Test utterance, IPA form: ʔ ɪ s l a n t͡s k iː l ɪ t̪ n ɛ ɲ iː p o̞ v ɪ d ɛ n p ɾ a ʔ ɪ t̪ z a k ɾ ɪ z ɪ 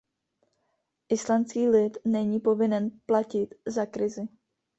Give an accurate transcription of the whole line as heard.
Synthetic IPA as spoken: ʔ ɪ s l a n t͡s k iː l ɪ t̪ n ɛ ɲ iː p o̞ v ɪ n ɛ n p l a c ɪ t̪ z a k ɾ ɪ z ɪ

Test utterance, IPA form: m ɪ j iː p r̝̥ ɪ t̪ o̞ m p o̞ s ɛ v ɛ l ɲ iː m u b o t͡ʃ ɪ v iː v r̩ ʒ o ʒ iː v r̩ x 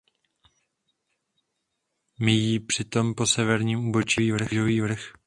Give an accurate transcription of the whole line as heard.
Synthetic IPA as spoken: m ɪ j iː p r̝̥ ɪ t̪ o̞ m p o̞ s ɛ v ɛ ɾ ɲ iː m u b o t͡ʃ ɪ v iː v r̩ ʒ o v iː v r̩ x

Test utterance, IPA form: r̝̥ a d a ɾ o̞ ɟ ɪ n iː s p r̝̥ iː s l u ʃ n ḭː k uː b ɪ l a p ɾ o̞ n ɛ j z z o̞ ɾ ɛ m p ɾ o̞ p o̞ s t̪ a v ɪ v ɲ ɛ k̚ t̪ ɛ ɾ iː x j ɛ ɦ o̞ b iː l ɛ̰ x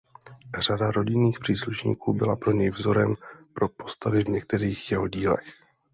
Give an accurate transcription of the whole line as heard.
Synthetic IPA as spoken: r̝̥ a d a ɾ o̞ ɟ ɪ n iː x p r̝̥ iː s l u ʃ ɲ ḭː k uː b ɪ l a p ɾ o̞ ɲ ɛ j v z o̞ ɾ ɛ m p ɾ o̞ p o̞ s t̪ a v ɪ v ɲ ɛ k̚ t̪ ɛ ɾ iː x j ɛ ɦ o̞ ɟ iː l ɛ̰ x

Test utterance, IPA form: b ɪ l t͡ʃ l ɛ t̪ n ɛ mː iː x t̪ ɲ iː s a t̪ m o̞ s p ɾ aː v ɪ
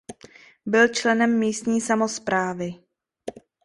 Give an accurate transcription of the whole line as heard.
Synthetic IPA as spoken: b ɪ l t͡ʃ l ɛ n ɛ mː iː s t̪ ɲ iː s a m o̞ s p ɾ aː v ɪ

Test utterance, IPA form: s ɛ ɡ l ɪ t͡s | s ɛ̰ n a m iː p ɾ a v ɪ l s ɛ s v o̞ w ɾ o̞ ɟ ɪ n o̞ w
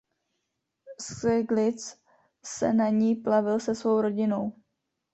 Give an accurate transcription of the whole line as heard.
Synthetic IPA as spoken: s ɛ ɡ l ɪ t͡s | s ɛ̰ n a ɲ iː p l a v ɪ l s ɛ s v o̞ w ɾ o̞ ɟ ɪ n o̞ w

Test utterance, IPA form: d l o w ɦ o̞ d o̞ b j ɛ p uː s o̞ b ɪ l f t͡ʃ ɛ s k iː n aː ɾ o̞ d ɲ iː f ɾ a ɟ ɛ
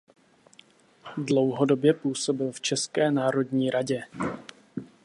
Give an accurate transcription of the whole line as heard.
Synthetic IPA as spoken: d l o w ɦ o̞ d o̞ b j ɛ p uː s o̞ b ɪ l f t͡ʃ ɛ s k ɛː n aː ɾ o̞ d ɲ iː ɾ a ɟ ɛ

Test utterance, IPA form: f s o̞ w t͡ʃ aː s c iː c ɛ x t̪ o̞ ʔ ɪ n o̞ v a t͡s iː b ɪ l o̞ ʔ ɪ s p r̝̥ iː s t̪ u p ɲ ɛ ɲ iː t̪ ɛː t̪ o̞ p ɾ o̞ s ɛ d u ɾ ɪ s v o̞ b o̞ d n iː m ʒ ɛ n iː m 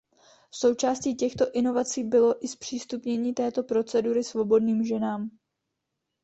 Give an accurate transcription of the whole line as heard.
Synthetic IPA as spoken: f s o̞ w t͡ʃ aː s c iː c ɛ x t̪ o̞ ʔ ɪ n o̞ v a t͡s iː b ɪ l o̞ ʔ ɪ s p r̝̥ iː s t̪ u p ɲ ɛ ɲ iː t̪ ɛː t̪ o̞ p ɾ o̞ t͡s ɛ d u ɾ ɪ s v o̞ b o̞ d n iː m ʒ ɛ n aː m

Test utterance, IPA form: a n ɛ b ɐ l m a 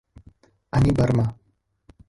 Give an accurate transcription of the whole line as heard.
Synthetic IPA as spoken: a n i b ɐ ɾ m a

